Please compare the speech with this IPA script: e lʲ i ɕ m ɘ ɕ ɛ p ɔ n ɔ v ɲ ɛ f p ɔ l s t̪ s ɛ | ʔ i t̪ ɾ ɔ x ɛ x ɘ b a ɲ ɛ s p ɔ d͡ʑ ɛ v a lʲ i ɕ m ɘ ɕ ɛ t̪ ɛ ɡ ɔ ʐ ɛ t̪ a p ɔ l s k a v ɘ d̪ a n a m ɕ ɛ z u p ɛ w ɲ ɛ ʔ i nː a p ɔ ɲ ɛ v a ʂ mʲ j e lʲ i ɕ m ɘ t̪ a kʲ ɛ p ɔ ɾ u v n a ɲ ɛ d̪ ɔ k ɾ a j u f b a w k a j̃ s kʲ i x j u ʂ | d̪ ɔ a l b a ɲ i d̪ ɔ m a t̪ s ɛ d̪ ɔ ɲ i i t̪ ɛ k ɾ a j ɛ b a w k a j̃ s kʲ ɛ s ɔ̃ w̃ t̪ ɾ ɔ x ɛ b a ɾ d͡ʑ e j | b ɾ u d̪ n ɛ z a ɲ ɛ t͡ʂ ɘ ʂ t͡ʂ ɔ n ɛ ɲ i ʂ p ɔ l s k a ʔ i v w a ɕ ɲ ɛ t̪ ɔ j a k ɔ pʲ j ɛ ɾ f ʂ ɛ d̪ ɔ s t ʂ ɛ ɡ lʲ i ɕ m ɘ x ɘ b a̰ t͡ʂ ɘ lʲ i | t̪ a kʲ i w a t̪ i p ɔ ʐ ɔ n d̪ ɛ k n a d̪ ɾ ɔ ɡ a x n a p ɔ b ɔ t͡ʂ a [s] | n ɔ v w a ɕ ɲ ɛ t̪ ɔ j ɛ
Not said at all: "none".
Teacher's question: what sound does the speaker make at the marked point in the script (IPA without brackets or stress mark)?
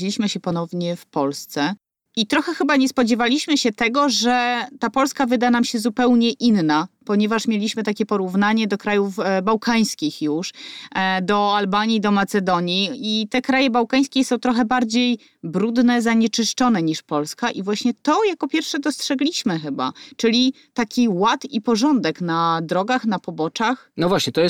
x